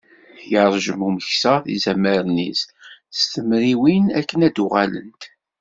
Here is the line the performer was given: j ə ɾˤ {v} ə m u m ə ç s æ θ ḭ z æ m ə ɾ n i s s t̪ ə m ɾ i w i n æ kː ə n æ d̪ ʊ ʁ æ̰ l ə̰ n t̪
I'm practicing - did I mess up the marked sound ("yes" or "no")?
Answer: yes